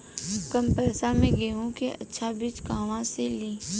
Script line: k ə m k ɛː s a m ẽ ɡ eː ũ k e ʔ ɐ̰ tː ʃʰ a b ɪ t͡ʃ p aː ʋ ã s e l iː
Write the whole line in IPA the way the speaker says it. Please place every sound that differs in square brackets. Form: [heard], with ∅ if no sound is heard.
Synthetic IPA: k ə m [p] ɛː s a m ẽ ɡ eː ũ k e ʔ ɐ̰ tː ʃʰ a b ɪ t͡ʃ [k] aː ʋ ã s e l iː